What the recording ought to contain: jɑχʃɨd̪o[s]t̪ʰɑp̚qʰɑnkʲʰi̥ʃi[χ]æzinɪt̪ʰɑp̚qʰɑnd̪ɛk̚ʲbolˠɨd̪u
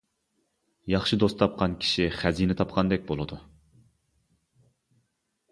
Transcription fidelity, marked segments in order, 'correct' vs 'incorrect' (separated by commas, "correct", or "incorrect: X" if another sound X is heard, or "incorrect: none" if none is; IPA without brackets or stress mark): correct, correct